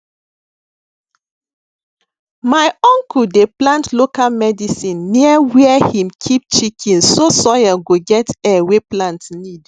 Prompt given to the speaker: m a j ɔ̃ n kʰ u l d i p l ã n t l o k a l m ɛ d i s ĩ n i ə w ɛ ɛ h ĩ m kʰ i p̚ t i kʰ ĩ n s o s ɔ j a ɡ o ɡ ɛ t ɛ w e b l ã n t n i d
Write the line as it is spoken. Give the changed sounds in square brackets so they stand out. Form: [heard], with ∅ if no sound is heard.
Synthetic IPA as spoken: m a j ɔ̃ [ŋ] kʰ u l d [e] p l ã n t l o k a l m ɛ d i s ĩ [nː] i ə w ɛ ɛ h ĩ m kʰ i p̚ [t͡ʃ] i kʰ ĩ n s o s ɔ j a ɡ o ɡ ɛ t ɛ w e [p] l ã n t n i d